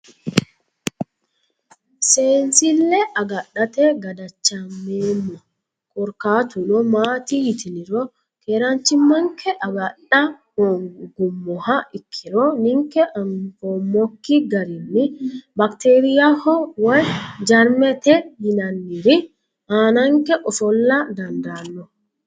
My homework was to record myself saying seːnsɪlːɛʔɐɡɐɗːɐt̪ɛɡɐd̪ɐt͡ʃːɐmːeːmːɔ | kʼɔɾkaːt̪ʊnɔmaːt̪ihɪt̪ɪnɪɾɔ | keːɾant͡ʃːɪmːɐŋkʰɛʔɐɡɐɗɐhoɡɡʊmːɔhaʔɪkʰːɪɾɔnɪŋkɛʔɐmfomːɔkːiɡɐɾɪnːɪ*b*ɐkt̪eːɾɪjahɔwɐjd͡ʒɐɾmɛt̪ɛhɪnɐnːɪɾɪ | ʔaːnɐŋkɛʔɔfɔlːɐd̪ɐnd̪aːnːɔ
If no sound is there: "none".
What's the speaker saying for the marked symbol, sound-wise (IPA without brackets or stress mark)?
b